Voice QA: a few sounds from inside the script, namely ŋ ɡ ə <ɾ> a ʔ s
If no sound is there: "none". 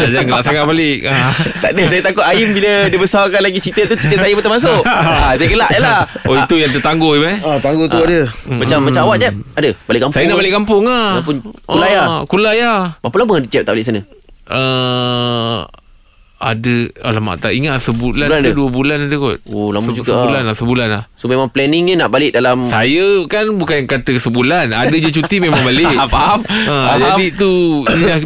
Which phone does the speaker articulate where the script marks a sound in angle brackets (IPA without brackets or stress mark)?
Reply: l